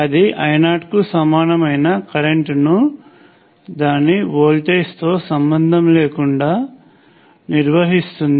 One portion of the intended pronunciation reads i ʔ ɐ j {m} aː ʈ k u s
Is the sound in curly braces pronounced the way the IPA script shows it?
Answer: no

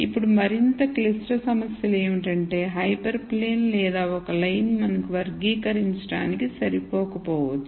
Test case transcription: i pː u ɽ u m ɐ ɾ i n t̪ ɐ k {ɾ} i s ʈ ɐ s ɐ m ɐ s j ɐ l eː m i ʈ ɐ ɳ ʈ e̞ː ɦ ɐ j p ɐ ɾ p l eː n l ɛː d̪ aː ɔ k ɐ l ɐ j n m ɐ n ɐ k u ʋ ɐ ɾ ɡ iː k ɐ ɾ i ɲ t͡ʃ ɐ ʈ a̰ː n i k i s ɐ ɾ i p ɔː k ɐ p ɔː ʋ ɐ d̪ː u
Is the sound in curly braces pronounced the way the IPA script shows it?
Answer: no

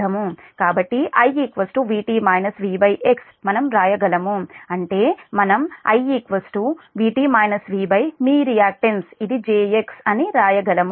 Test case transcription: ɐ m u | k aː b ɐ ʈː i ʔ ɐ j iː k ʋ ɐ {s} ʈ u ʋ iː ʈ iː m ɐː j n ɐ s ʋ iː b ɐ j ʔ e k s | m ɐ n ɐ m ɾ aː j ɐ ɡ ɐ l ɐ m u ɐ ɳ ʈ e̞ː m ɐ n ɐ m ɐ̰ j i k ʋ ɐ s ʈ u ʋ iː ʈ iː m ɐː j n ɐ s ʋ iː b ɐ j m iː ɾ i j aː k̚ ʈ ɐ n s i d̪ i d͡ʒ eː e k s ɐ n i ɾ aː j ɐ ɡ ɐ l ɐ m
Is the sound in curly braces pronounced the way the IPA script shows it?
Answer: yes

